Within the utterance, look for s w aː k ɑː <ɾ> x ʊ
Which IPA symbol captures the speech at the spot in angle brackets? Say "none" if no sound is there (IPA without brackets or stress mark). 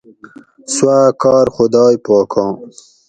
ɾ